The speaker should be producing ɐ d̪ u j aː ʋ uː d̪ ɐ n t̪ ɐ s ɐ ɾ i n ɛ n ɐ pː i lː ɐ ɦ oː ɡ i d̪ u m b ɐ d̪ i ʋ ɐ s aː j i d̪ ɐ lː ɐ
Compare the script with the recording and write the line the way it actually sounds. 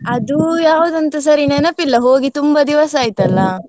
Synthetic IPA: ɐ d̪ u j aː ʋ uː d̪ ɐ n t̪ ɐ s ɐ ɾ i n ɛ n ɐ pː i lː ɐ ɦ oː ɡ i t̪ u m b ɐ d̪ i ʋ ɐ s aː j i t̪ ɐ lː ɐ